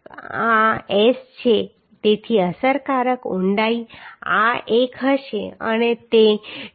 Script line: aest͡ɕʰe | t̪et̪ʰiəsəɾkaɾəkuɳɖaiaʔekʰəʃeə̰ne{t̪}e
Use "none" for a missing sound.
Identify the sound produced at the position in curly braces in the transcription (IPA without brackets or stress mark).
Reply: t̪